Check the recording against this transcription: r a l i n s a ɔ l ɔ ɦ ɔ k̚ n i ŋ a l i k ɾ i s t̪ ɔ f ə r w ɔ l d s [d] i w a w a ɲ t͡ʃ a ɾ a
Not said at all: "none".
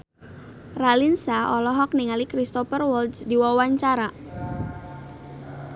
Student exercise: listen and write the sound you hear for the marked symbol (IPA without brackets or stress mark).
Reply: d